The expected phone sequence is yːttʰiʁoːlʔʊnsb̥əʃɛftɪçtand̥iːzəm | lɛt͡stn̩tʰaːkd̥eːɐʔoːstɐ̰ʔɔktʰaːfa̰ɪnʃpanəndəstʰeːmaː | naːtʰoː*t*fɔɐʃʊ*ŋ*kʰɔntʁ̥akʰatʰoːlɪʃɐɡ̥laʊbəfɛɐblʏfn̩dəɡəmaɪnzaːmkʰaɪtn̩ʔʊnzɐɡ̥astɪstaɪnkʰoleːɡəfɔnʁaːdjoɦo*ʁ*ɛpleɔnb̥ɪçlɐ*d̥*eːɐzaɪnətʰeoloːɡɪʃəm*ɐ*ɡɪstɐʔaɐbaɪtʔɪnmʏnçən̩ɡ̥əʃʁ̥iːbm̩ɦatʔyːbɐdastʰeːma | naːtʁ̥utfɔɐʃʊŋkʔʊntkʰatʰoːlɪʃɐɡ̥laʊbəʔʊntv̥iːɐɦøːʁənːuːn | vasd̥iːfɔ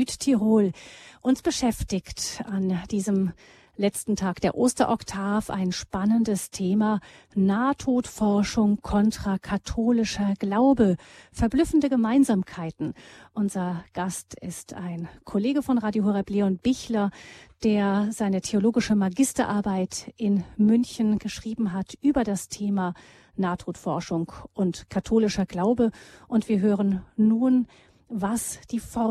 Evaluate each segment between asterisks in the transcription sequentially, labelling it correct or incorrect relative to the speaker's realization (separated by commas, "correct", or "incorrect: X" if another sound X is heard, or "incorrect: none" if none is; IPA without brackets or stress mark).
correct, correct, correct, correct, incorrect: a